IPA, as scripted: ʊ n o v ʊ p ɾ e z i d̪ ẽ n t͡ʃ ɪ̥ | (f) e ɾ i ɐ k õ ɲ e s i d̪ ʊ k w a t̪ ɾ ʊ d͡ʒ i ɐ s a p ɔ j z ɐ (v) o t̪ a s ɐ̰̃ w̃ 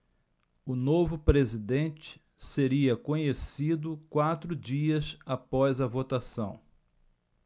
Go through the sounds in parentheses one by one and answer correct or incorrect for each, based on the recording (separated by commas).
incorrect, correct